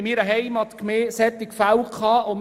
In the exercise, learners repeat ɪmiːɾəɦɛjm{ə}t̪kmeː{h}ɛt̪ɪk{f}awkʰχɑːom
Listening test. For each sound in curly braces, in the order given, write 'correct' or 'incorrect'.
incorrect: ɑ, incorrect: s, correct

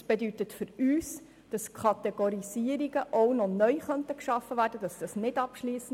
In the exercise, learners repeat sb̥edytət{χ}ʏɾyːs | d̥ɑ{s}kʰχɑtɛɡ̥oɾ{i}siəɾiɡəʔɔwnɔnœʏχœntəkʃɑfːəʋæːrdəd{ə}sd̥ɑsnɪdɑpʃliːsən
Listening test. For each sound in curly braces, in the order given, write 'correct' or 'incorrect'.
incorrect: f, correct, correct, incorrect: ɑ

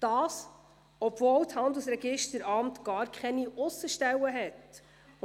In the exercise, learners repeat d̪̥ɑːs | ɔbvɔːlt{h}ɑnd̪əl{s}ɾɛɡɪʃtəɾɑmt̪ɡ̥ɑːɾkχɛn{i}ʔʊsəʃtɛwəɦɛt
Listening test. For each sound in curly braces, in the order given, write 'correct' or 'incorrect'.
correct, correct, correct

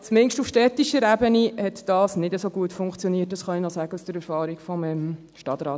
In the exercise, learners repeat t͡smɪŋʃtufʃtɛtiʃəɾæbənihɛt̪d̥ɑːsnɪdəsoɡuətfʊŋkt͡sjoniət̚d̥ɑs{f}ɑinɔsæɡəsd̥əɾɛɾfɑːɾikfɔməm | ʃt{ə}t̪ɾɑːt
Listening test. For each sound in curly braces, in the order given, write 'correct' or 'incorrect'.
incorrect: χ, incorrect: ɑ

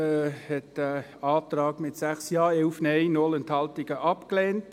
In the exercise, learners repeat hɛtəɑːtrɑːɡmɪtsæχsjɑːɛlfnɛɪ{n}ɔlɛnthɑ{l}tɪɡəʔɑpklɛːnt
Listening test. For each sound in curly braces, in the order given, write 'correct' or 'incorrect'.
correct, correct

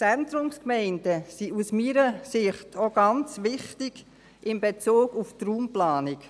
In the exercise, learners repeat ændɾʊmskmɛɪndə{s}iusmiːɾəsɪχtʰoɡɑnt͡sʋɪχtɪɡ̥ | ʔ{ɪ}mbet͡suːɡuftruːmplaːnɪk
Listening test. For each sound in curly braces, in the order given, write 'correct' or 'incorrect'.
correct, correct

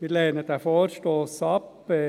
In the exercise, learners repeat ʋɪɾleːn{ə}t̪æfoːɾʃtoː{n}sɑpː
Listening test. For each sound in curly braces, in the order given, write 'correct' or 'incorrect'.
correct, incorrect: none

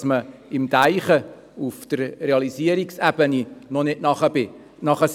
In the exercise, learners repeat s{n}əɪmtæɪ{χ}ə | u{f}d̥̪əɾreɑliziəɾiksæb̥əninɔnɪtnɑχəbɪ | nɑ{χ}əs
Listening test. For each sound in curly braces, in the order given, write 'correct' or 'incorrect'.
incorrect: m, correct, correct, correct

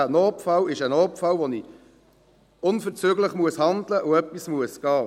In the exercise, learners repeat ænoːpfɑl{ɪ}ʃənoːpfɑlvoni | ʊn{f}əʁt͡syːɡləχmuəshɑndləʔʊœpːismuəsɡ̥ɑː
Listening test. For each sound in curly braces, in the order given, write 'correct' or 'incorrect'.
correct, correct

